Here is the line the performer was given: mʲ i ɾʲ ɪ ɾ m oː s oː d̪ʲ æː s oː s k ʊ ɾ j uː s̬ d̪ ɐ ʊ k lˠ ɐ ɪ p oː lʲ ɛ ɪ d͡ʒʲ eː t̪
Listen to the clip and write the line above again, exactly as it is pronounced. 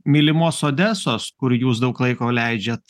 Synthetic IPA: mʲ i lʲ ɪ m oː s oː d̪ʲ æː s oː s k ʊ ɾ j uː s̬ d̪ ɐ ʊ k lˠ ɐ ɪ k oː lʲ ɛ ɪ d͡ʒʲ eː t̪